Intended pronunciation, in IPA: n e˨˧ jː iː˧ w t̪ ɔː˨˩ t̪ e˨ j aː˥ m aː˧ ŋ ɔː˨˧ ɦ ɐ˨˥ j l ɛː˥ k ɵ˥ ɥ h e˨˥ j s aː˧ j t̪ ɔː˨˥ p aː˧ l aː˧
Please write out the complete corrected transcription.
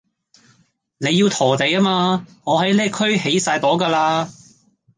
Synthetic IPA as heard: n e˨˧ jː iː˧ w t̪ʰ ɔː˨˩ t̪ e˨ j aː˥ m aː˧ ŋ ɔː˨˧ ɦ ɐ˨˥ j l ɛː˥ kʰ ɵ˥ ɥ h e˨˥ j s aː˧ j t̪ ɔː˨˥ k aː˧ l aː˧